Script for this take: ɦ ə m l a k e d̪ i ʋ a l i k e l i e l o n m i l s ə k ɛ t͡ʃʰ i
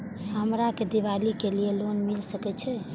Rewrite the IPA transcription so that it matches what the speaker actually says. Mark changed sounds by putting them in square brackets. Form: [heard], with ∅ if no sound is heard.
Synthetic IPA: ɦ ə m [ɾ] a k e d̪ i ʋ a l i k e l i e l o n m i l s ə k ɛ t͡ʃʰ [ɛ]